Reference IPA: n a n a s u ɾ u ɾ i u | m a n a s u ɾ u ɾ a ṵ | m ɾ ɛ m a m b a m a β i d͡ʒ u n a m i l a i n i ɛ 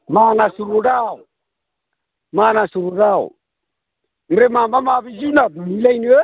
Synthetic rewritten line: m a n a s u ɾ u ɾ a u | m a n a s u ɾ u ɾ a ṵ | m ɾ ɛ m a m b a m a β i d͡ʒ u n a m i l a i n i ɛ